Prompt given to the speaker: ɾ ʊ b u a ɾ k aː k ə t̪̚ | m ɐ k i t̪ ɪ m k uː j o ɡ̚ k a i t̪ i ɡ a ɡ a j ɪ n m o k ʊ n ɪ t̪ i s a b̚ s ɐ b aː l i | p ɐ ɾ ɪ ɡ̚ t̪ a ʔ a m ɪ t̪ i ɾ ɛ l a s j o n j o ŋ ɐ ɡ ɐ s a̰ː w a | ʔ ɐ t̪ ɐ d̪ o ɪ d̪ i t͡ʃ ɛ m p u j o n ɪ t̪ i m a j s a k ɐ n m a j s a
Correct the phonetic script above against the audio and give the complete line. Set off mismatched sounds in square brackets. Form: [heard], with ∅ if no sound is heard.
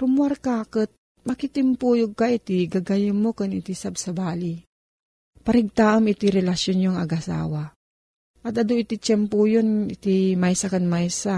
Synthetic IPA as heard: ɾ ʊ [m] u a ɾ k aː k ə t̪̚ | m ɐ k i t̪ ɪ m [p] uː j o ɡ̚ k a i t̪ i ɡ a ɡ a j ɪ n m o k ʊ n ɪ t̪ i s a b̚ s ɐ b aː l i | p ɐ ɾ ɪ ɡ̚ t̪ a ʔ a m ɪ t̪ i ɾ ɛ l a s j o n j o ŋ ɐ ɡ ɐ s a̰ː w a | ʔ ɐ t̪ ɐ d̪ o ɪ [t̪] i t͡ʃ ɛ m p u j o n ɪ t̪ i m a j s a k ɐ n m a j s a